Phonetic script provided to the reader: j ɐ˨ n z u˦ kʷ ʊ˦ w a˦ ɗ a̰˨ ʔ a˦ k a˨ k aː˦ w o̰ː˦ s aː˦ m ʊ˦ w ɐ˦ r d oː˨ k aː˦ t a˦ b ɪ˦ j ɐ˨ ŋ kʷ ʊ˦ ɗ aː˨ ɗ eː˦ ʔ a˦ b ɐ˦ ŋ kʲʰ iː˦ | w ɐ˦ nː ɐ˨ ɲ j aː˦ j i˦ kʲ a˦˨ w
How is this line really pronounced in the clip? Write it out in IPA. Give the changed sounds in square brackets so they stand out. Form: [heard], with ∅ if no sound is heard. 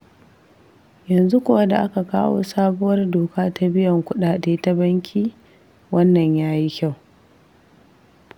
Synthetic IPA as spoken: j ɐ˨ n z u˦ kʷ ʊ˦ w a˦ [d] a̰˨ ʔ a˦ k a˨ k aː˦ w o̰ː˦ s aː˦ [b] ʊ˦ w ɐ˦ r d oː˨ k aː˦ t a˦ b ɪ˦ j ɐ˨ ŋ kʷ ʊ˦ ɗ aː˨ ɗ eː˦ [t] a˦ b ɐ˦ ŋ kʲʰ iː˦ | w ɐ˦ nː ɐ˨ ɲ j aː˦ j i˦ kʲ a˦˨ w